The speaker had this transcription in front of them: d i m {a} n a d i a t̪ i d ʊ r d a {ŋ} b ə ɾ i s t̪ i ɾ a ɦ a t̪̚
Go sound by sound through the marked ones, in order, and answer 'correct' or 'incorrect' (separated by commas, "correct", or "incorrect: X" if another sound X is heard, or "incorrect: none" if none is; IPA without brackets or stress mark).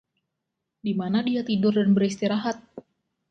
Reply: correct, incorrect: n